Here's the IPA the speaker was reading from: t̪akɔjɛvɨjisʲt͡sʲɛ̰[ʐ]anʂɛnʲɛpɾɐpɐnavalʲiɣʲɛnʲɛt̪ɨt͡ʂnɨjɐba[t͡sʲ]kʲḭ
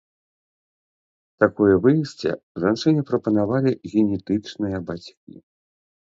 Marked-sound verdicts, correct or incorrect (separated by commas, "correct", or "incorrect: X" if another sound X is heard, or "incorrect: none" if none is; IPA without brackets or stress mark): correct, correct